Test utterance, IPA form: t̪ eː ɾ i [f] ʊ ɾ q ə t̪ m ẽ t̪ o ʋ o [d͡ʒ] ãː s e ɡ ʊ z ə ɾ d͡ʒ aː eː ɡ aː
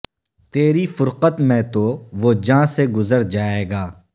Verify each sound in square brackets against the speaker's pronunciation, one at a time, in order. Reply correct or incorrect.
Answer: correct, correct

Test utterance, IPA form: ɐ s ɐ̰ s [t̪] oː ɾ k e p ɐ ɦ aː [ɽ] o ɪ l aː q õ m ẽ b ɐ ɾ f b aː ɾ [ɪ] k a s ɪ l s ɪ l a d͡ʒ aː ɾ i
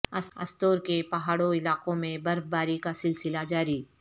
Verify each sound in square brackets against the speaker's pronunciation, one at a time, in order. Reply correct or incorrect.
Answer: correct, correct, incorrect: i

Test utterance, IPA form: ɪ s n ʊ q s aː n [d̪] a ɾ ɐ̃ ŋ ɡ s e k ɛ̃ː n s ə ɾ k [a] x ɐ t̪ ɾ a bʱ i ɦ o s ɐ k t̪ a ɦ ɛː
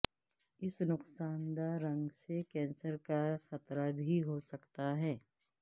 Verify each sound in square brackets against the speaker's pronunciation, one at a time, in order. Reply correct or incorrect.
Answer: correct, correct

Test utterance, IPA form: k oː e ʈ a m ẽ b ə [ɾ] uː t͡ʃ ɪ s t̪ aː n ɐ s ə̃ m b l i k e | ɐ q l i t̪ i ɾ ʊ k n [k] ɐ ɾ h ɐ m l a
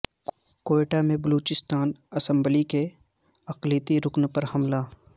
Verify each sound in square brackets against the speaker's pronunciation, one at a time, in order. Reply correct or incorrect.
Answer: incorrect: l, incorrect: p

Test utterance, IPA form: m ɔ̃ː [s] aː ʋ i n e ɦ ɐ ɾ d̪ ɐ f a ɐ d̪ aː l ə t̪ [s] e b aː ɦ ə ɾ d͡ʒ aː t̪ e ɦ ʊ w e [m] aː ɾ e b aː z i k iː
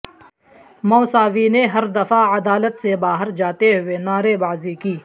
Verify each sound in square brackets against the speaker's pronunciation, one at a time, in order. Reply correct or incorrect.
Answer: correct, correct, incorrect: n

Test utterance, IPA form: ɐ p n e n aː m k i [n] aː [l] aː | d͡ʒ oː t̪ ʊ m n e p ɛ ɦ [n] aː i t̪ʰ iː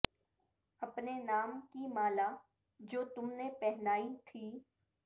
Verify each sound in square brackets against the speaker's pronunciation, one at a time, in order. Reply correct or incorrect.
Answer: incorrect: m, correct, correct

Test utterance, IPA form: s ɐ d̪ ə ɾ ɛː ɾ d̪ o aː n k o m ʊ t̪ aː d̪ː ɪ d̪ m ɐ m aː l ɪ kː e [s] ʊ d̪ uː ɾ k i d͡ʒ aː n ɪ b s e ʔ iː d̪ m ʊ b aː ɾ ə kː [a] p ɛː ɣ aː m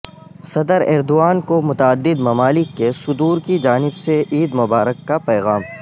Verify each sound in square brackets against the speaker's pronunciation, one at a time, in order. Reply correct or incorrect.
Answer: correct, correct

